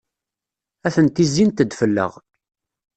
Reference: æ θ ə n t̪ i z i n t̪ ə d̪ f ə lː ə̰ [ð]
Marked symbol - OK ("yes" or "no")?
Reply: no